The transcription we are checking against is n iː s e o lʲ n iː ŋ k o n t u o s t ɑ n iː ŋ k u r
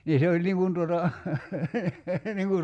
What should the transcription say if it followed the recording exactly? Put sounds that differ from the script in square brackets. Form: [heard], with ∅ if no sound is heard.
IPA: n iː s e o lʲ n [i] ŋ k [u] n t u o [∅] t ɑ n [i] ŋ k u r